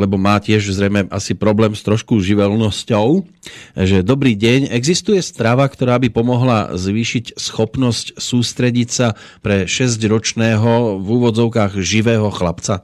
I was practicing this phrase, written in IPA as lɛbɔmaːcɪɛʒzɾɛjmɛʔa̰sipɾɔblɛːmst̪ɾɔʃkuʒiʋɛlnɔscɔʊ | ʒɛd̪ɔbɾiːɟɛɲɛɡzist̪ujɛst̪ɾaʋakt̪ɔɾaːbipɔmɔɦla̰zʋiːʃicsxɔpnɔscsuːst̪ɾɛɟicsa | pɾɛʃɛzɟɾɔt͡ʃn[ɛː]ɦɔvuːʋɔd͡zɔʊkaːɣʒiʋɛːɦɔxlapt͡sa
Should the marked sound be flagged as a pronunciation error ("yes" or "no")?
no